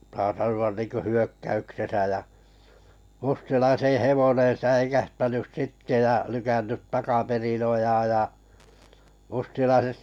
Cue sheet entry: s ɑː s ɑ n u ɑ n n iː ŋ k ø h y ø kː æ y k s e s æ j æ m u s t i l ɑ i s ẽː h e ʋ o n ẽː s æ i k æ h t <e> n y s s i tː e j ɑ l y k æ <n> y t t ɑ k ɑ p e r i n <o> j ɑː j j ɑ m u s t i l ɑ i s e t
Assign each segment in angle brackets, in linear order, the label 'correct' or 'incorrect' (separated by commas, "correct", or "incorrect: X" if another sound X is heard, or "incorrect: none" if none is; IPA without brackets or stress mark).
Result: incorrect: æ, incorrect: nː, correct